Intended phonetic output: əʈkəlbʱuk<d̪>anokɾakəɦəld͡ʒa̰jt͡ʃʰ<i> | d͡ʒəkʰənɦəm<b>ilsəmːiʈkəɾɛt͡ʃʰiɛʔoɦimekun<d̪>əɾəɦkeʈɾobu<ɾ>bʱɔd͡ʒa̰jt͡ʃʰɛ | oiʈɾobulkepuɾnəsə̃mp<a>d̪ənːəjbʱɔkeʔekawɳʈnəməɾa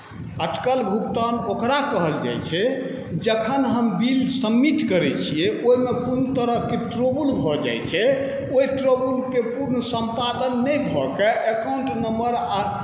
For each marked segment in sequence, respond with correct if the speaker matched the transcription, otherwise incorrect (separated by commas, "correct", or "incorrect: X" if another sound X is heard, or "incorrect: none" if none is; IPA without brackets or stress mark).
incorrect: t̪, incorrect: ɛ, correct, incorrect: t̪, incorrect: l, correct